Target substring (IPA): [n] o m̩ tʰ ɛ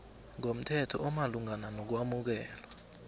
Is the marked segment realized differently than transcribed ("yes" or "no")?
yes